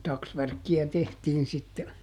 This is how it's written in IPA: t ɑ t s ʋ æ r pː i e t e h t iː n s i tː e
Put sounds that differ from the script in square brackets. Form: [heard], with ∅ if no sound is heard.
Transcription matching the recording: t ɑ [k] s ʋ æ r [kː] i [æ] t e h t iː n s i tː e

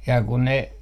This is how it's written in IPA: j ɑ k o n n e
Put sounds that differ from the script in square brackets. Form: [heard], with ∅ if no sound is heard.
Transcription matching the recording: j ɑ k [u] n n e

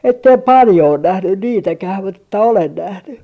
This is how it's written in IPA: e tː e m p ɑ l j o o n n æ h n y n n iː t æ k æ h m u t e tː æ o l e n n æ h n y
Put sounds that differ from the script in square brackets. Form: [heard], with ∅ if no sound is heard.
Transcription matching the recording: e tː e m p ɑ l j o o n n æ h n y n n iː t æ k æ h m u t e tː æ o l e n n æ h n y

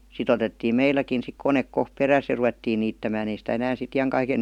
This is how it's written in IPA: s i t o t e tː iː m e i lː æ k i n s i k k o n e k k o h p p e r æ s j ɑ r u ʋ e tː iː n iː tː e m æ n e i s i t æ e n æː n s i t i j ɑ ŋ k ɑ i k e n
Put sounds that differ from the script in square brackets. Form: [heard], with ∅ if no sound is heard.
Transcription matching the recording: s i t o t e tː iː m e i lː æ k i n s i k k o n e k k o h p p e r æ s j ɑ r u ʋ e tː iː n iː tː [æ] m [æː] n e i s i t æ e n æː n s i t i j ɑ ŋ k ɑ i k e n

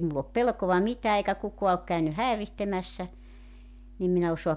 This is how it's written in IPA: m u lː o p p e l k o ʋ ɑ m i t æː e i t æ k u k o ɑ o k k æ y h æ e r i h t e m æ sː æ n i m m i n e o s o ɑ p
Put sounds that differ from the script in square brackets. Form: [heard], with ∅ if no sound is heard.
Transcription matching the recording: m u lː o p p e l k o ʋ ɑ m i t æː e i [k] æ k u k o ɑ o k k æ y h æ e r i h t e m æ sː æ n i m m i n e o s o ɑ p

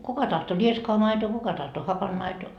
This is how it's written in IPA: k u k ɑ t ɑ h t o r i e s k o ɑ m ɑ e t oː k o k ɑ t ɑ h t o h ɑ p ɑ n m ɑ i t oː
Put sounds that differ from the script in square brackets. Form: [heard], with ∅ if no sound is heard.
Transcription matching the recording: k u k ɑ t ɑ h t o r i e s k o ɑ m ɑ [i] t oː k [u] k ɑ t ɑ h t o h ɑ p ɑ n m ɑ i t oː

